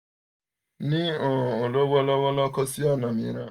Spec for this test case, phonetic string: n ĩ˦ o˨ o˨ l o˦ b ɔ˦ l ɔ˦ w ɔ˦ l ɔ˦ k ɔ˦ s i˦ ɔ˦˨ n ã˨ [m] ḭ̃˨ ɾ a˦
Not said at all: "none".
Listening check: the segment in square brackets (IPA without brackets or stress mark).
m